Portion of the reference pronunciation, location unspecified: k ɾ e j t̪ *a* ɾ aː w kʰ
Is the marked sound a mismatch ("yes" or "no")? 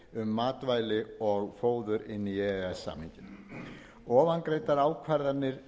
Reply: no